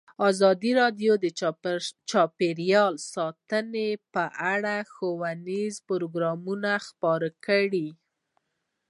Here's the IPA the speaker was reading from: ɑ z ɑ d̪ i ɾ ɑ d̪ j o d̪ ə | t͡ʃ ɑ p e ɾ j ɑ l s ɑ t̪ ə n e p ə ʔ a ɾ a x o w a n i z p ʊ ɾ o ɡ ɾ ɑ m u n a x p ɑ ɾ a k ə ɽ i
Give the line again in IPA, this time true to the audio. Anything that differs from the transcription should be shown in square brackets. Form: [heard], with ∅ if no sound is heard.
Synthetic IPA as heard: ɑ z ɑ d̪ i ɾ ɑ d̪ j o d̪ ə | t͡ʃ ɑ p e ɾ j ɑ l s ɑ t̪ ə n e p ə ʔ a [ɽ] a x o w a n i z p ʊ ɾ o ɡ ɾ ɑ m u n a x p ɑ ɾ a k ə ɽ i

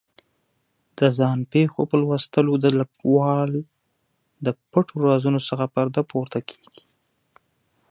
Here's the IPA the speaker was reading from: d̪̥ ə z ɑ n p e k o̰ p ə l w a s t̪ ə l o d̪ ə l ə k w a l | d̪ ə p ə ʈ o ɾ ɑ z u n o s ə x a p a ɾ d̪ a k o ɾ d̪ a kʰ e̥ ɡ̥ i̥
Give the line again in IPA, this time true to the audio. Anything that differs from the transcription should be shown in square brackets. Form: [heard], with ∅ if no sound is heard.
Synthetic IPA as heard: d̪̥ ə z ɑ n p e [x] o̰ p ə l w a s t̪ ə l o d̪ ə l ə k w [ɑ] l | d̪ ə p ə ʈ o ɾ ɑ z u n o s ə x a p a ɾ d̪ a [p] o ɾ [t̪] a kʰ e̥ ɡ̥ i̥

